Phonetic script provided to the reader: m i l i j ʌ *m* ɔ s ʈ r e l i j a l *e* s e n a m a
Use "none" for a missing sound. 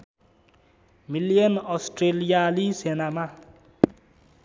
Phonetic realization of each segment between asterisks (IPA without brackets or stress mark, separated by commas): n, i